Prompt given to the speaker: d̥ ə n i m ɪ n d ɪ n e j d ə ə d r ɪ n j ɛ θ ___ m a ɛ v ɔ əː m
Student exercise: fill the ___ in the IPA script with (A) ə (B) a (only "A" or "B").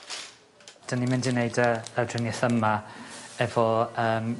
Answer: A